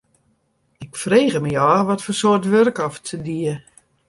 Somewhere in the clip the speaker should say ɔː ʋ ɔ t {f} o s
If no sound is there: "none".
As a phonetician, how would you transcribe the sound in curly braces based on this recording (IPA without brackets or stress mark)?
f